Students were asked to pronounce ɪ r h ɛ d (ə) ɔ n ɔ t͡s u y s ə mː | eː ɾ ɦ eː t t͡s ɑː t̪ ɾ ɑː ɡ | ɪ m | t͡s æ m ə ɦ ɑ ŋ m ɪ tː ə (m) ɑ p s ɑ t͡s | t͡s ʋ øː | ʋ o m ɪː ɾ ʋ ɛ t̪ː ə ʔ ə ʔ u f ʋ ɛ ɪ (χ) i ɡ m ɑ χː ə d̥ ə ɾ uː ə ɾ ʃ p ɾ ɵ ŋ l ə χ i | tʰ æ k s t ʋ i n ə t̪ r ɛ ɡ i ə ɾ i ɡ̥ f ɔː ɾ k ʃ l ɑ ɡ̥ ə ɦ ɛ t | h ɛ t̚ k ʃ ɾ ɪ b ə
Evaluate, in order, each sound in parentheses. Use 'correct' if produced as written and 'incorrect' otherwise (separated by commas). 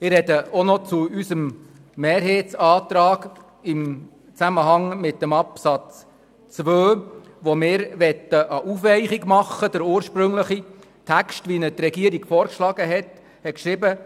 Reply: correct, correct, correct